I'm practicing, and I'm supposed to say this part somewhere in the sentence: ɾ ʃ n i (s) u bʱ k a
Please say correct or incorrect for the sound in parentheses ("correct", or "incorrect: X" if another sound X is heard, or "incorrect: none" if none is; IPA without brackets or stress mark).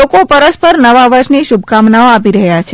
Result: incorrect: ʃ